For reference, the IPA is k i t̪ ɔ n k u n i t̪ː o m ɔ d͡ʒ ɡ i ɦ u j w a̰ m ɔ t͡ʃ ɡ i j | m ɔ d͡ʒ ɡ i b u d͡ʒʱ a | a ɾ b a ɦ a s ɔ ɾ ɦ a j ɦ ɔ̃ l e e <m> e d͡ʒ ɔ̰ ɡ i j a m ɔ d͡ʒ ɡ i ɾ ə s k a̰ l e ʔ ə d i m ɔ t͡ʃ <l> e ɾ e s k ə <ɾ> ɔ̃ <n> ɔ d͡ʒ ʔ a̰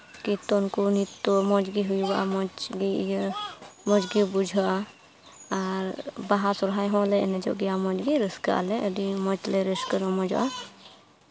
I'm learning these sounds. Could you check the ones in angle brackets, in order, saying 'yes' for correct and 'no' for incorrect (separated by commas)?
no, yes, yes, no